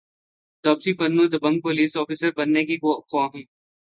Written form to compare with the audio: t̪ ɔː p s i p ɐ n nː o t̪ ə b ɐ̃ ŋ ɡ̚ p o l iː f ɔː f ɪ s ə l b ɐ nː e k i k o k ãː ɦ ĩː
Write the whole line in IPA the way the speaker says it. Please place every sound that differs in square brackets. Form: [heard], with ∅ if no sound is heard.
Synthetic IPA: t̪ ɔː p s i p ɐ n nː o [d̪] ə b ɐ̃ ŋ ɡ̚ p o l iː [s] ɔː f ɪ s ə [ɾ] b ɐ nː e k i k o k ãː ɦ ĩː